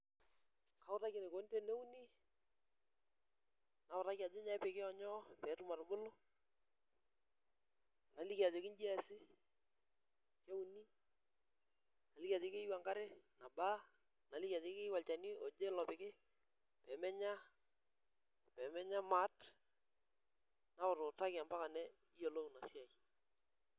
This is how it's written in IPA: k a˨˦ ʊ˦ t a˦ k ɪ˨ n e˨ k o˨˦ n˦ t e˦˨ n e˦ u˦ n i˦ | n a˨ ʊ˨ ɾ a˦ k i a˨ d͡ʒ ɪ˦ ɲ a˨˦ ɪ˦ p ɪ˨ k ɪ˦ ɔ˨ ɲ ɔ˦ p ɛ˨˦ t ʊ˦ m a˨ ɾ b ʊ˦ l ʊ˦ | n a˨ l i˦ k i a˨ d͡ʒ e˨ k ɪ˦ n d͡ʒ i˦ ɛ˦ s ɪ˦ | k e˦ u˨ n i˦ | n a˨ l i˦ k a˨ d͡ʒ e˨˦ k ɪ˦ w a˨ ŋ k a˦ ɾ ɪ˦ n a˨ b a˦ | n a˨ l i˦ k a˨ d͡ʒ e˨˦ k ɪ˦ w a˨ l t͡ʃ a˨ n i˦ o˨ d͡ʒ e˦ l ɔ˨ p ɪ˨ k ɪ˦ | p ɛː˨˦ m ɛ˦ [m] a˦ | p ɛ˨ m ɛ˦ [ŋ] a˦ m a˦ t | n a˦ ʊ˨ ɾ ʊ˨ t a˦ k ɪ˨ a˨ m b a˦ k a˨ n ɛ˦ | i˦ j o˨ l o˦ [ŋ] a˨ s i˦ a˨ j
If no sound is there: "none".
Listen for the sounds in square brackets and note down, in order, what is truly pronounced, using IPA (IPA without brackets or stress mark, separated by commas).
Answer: ɲ, ɲ, n